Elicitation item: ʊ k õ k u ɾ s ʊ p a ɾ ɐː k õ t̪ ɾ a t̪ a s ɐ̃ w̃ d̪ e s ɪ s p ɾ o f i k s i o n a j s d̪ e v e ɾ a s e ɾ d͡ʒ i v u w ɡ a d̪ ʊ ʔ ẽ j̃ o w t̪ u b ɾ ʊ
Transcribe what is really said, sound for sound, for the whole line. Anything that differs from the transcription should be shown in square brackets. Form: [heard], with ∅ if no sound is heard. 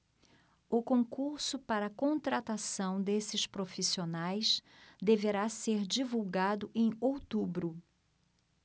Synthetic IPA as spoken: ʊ k õ k u ɾ s ʊ p a ɾ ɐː k õ t̪ ɾ a t̪ a s ɐ̃ w̃ d̪ e s ɪ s p ɾ o f i [∅] s i o n a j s d̪ e v e ɾ a s e ɾ d͡ʒ i v u w ɡ a d̪ ʊ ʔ ẽ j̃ o w t̪ u b ɾ ʊ